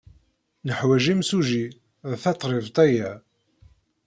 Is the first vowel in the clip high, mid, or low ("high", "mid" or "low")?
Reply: mid